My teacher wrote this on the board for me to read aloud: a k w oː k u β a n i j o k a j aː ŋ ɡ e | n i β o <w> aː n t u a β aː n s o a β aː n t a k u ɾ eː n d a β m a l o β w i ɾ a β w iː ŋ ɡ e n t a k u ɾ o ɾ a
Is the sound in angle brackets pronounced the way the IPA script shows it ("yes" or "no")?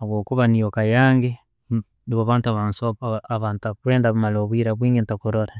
no